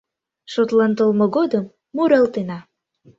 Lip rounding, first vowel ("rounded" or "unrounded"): rounded